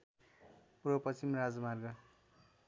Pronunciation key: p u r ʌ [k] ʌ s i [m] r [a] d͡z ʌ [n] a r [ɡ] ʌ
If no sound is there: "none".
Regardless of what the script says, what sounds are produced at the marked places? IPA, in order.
p, m, a, m, ɡ

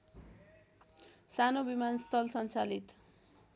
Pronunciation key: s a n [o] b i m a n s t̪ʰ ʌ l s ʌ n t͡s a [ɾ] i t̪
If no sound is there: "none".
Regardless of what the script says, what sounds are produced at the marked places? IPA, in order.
o, l

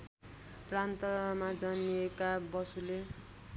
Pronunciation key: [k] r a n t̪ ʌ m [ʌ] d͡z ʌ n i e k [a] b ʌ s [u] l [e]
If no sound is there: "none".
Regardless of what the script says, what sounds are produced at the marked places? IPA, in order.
p, a, a, u, e

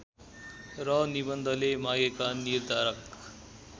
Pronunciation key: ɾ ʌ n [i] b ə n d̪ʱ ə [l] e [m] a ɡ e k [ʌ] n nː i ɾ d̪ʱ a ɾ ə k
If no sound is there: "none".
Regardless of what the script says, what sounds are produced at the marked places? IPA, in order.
i, l, m, a

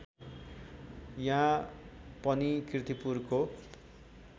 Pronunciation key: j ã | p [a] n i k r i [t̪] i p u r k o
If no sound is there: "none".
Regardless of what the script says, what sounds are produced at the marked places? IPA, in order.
ʌ, t̪

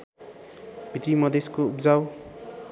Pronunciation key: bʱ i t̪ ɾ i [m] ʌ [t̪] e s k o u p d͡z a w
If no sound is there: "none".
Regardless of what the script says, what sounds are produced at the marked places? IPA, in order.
m, d̪

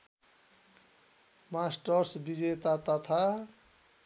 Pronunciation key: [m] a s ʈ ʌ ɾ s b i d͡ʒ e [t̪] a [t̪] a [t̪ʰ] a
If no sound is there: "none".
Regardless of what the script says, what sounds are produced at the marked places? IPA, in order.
m, t̪, t̪, t̪ʰ

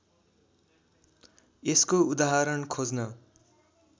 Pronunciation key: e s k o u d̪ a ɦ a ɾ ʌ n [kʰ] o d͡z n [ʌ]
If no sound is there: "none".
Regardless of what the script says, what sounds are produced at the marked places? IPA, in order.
kʰ, ʌ

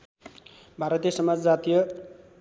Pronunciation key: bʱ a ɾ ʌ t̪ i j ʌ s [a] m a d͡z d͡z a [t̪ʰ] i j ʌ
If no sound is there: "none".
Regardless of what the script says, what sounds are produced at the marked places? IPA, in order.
ʌ, t̪

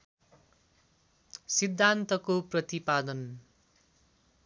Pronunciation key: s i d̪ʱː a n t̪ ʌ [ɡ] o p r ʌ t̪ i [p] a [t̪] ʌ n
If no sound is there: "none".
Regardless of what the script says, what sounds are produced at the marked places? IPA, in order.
k, p, d̪

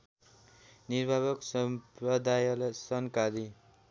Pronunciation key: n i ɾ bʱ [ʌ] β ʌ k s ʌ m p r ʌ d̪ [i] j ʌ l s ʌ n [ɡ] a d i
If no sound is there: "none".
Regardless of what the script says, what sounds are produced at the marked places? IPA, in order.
a, a, k

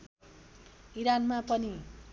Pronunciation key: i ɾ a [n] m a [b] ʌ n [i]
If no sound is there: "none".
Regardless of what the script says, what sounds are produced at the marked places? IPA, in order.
n, p, i

